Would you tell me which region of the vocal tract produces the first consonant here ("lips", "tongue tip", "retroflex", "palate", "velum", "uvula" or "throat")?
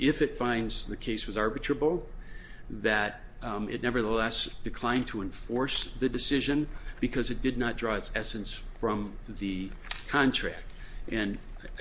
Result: lips